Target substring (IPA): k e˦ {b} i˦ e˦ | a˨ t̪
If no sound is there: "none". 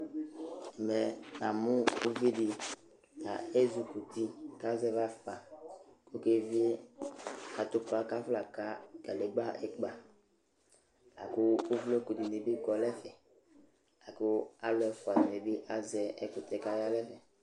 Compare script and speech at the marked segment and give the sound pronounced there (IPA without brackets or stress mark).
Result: v